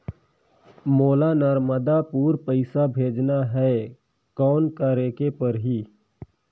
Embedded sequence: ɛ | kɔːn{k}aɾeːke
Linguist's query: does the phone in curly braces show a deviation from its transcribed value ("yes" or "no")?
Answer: no